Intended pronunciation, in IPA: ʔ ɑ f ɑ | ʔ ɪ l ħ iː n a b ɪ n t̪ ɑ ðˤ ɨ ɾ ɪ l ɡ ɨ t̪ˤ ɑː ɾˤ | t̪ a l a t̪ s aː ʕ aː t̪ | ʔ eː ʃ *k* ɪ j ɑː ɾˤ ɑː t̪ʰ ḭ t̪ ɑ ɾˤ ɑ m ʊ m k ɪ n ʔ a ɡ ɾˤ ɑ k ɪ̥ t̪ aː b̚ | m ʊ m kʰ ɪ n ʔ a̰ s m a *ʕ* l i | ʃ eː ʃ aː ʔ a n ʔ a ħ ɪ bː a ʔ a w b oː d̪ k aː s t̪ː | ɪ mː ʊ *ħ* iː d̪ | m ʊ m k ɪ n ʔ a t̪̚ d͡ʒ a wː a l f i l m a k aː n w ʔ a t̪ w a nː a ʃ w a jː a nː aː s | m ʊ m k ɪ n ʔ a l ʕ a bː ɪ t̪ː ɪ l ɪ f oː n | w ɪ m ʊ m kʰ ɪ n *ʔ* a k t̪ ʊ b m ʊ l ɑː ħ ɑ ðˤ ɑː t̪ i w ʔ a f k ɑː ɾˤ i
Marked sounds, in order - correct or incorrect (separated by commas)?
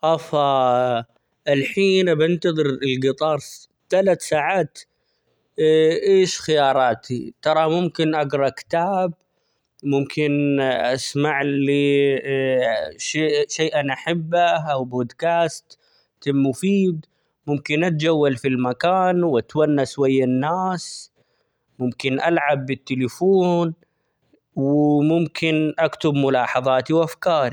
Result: incorrect, correct, incorrect, correct